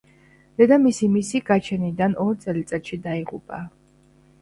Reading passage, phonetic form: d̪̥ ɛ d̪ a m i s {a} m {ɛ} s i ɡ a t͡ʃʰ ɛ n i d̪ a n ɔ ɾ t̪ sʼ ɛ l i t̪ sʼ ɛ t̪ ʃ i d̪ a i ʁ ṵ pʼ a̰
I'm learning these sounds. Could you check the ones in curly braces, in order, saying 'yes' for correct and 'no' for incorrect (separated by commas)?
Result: no, no